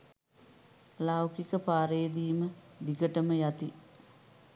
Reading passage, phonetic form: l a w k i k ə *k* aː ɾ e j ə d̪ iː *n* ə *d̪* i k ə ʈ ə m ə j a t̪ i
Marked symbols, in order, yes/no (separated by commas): no, no, yes